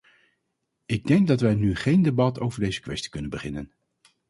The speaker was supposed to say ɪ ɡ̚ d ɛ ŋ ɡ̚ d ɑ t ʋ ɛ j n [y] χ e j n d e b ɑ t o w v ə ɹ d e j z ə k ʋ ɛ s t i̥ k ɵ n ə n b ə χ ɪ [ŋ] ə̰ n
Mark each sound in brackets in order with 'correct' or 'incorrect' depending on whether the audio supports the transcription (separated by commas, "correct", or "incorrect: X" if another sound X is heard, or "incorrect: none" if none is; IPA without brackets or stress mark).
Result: correct, incorrect: n